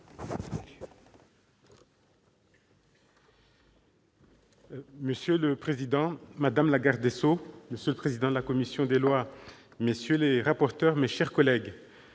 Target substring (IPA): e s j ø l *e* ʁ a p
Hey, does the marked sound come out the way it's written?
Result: yes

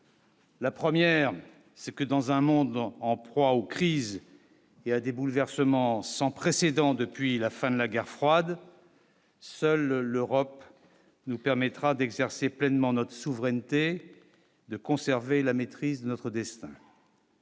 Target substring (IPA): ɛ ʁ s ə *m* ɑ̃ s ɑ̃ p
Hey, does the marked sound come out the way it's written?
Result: yes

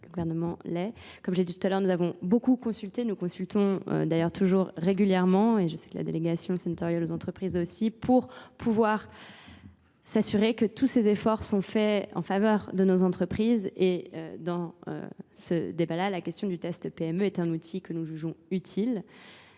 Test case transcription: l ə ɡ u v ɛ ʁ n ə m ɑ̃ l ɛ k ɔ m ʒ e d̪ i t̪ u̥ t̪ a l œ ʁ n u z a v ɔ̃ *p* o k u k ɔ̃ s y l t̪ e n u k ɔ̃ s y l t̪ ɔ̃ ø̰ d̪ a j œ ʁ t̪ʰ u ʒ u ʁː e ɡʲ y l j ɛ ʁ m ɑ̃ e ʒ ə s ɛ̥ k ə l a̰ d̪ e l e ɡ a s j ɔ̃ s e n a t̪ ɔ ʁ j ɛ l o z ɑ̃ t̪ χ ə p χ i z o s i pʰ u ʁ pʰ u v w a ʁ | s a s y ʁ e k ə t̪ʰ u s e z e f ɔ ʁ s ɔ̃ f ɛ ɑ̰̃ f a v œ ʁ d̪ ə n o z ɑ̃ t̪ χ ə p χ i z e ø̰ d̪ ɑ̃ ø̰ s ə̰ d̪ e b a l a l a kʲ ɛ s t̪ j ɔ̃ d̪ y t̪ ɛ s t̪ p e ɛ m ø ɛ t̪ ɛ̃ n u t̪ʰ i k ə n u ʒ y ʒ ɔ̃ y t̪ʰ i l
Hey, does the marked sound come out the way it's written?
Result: no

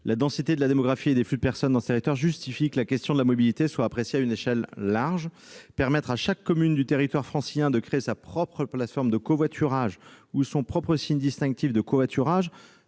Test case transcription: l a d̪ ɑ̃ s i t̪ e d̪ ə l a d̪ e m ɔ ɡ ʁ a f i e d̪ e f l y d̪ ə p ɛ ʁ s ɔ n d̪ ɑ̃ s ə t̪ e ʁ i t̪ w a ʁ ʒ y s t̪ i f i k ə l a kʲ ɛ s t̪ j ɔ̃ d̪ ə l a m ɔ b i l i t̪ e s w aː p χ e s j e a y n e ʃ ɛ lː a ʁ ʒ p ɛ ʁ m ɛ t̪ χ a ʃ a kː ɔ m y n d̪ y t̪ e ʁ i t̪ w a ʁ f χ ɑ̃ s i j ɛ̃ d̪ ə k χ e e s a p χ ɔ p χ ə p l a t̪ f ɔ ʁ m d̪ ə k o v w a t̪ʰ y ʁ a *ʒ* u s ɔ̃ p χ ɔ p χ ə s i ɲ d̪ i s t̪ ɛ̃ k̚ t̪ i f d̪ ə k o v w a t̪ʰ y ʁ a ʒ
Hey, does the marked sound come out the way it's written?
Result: yes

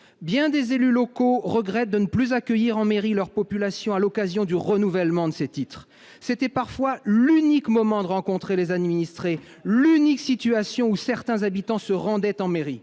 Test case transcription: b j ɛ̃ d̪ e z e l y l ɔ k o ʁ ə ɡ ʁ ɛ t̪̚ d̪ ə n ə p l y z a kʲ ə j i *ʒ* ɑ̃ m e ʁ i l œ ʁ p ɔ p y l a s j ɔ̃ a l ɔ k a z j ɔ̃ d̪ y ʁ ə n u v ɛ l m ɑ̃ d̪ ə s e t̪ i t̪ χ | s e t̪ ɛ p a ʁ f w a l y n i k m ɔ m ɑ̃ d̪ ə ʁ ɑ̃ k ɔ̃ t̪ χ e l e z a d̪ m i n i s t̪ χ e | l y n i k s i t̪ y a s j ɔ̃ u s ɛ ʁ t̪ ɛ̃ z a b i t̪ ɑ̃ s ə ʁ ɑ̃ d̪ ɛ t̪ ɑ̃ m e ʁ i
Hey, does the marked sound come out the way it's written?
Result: no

